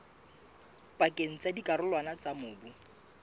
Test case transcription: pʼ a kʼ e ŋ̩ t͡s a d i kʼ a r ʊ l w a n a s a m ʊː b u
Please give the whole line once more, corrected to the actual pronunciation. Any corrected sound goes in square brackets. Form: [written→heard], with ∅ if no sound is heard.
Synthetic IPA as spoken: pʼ a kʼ e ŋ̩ t͡s a d i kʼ a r ʊ l w a n a [s→t͡s] a m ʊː b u